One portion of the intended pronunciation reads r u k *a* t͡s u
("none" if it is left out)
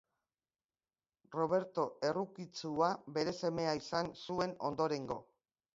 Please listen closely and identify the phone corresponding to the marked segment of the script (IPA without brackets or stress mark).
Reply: i